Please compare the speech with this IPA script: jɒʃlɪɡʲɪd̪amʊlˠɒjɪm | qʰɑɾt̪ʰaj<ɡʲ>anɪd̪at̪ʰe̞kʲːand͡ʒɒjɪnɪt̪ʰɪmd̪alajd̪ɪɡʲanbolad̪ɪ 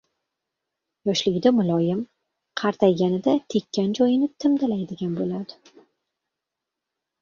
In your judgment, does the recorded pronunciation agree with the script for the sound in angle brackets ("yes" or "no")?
yes